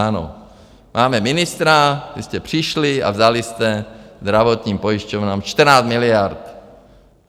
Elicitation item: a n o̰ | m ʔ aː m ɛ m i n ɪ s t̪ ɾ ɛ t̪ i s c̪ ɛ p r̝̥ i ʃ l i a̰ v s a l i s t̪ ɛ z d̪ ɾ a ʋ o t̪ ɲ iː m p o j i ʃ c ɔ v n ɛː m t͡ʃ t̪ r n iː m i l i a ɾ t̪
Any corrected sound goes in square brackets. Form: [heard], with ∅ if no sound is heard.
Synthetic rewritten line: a n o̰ | m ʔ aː m ɛ m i n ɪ s t̪ ɾ [a] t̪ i s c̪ ɛ p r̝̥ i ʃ l i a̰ v [z] a l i s t̪ ɛ z d̪ ɾ a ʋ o t̪ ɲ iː m p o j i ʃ c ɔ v n [aː] m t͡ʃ t̪ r n [aː] m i l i a ɾ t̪